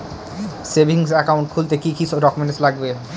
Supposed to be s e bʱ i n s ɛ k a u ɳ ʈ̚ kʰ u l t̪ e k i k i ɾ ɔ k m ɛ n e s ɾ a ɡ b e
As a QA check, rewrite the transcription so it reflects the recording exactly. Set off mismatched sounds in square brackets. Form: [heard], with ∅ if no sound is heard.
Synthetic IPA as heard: s e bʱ i [ŋ] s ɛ k a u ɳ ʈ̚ kʰ u l t̪ e k i k i ɾ ɔ k m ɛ n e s [l] a ɡ b e